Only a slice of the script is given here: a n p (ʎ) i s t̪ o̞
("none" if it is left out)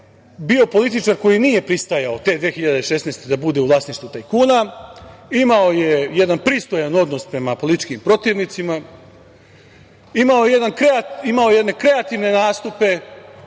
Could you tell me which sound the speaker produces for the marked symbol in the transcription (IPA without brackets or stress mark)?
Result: ɾ